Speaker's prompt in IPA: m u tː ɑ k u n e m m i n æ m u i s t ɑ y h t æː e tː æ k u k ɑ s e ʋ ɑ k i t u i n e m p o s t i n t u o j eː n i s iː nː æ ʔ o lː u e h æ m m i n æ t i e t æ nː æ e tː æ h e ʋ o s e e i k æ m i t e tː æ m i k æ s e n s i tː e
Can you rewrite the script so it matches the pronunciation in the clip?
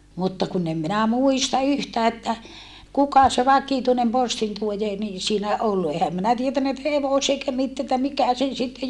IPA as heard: m u tː ɑ k u n e m m i n æ m u i s t ɑ y h t æː e tː æ k u k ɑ s e ʋ ɑ k i t u i n e m p o s t i n t u o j eː n i s iː n æ ʔ o lː u e h æ m m i n æ t i e t æ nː æ e tː æ h e ʋ o s e e i k æ m i t e tː æ m i k æ s e n s i tː e